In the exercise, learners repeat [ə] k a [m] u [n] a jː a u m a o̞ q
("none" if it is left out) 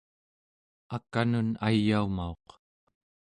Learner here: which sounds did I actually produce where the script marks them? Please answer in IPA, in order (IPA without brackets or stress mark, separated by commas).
a, n, n